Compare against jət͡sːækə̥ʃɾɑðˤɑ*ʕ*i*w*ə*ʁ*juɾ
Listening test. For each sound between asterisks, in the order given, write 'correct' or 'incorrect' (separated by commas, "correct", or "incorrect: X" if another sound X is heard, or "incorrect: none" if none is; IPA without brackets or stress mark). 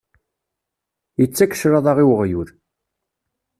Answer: incorrect: ʁ, correct, correct